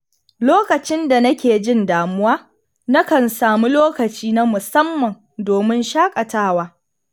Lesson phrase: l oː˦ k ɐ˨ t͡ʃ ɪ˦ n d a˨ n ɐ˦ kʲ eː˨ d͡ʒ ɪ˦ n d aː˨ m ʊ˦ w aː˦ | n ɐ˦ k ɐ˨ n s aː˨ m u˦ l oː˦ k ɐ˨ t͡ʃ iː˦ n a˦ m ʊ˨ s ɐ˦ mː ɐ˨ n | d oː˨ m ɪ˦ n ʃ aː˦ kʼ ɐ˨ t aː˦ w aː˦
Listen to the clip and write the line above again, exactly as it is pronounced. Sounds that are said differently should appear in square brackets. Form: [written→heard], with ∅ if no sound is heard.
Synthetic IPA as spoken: l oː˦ k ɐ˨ t͡ʃ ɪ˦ n d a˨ n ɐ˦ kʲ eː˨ d͡ʒ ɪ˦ n d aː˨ m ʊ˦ w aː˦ | n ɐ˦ k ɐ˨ n s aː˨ m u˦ l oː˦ k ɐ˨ t͡ʃ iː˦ n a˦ m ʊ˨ s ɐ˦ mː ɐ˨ n | d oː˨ m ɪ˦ n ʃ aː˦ kʼ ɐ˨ t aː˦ w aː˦